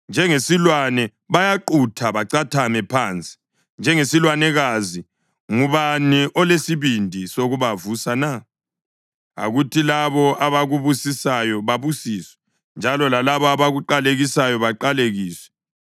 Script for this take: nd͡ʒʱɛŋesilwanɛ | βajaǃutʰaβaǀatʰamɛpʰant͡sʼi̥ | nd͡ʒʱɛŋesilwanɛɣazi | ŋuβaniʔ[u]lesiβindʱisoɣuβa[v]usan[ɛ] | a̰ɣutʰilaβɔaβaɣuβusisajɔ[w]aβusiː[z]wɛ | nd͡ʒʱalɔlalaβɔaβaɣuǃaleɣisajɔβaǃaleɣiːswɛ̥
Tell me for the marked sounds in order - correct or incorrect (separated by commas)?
incorrect, correct, incorrect, incorrect, incorrect